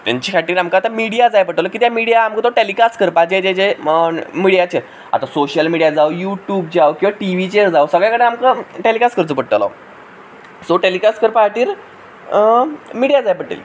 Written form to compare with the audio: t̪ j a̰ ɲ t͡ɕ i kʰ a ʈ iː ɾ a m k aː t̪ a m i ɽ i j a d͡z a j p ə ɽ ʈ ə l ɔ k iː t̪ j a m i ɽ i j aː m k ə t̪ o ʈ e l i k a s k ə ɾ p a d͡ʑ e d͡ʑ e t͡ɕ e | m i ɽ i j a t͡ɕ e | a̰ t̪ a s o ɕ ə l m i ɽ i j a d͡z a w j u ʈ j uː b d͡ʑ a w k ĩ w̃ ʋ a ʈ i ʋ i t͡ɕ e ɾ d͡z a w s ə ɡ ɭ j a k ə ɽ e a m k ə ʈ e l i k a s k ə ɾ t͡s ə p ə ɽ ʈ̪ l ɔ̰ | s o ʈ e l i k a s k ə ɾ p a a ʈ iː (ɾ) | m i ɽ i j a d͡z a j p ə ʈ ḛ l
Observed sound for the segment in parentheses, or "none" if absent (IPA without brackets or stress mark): ɾ